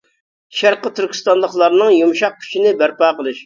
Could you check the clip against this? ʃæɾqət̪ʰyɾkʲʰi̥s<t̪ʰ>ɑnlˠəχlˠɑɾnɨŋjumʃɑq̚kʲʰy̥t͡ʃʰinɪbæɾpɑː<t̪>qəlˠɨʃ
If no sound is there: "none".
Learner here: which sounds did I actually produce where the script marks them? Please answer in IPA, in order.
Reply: t̪, none

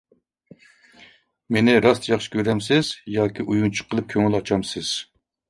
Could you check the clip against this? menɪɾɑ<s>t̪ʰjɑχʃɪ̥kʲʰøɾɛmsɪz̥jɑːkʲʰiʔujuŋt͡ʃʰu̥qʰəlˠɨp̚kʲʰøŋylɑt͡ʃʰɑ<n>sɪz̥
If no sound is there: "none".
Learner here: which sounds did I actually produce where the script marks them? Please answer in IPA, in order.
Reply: s, m

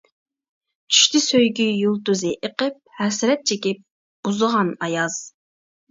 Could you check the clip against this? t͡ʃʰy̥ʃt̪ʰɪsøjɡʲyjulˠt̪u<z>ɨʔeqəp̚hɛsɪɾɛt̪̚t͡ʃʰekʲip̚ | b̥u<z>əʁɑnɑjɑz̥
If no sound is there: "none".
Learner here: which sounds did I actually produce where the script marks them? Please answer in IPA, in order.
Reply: z, z

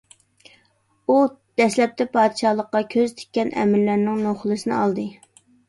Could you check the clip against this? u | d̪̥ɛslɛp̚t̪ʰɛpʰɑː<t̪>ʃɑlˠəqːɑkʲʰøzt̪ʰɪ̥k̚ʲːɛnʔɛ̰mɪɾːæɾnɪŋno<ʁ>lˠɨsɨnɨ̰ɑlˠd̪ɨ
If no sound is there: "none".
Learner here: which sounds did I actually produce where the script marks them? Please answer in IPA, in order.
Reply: d̪, χ

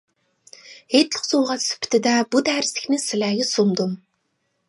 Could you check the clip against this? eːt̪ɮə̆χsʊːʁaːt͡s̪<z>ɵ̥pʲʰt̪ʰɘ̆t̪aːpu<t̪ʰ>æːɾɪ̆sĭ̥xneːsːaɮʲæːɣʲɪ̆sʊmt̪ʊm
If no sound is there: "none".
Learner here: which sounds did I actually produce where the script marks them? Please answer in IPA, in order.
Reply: s, t̪

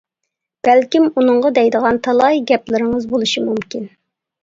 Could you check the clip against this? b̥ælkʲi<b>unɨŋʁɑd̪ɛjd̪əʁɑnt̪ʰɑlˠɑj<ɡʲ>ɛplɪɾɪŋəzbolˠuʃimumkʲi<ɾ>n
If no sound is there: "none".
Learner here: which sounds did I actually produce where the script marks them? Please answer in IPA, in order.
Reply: m, ɡʲ, none

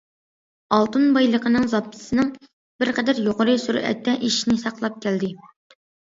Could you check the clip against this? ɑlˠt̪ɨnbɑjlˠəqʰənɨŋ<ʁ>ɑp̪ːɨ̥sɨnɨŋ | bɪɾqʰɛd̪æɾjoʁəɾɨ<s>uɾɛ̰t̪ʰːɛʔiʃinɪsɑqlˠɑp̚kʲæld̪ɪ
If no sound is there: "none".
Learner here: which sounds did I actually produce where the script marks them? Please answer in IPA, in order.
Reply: z, s

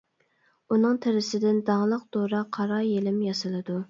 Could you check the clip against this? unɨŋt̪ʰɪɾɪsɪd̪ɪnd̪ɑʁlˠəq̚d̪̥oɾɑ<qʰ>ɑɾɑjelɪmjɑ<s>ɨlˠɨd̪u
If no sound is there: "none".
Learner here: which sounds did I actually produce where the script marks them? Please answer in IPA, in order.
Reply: qʰ, s

